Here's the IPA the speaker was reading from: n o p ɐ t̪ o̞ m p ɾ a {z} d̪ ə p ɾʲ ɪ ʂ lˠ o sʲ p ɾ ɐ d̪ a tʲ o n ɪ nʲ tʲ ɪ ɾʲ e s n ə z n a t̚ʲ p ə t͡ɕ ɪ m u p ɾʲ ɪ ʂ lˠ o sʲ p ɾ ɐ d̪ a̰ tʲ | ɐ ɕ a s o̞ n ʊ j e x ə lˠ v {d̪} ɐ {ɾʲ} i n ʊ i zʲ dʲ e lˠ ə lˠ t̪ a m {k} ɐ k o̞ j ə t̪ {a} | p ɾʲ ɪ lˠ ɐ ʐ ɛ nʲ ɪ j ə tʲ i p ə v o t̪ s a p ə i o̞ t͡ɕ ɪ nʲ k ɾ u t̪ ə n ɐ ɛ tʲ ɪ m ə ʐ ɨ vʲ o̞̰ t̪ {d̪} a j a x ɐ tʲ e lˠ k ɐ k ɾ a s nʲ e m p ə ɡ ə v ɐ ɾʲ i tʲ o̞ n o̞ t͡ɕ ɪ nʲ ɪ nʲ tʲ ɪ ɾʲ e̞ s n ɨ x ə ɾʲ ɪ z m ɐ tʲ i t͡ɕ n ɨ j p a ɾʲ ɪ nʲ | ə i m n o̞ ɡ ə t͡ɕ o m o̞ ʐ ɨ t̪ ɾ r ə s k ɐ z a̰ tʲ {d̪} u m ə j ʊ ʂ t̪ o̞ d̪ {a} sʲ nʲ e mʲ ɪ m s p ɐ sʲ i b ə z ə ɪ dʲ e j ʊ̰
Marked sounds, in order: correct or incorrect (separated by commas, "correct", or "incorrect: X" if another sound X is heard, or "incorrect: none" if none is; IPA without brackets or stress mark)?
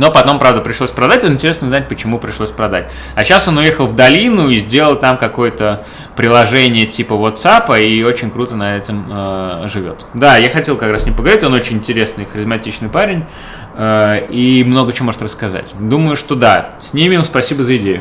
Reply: incorrect: v, correct, incorrect: lʲ, correct, incorrect: ə, correct, correct, correct